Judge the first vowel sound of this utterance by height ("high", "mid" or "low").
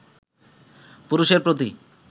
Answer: high